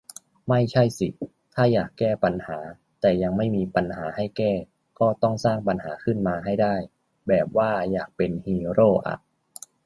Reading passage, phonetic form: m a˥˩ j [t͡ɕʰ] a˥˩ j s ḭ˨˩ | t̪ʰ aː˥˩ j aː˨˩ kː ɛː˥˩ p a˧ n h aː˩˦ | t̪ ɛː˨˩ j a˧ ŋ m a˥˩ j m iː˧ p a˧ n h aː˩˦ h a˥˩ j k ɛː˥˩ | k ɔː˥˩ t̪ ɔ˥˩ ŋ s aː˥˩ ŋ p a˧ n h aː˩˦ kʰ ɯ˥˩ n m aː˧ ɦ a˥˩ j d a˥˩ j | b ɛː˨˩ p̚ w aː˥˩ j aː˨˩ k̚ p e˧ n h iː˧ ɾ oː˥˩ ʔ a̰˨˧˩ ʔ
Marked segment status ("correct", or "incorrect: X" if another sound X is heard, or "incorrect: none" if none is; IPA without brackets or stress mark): correct